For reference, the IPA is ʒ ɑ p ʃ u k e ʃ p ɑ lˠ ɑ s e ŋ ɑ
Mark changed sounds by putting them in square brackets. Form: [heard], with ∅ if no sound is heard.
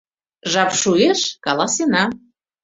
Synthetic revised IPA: ʒ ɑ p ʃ u [∅] e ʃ [k] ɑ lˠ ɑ s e [n] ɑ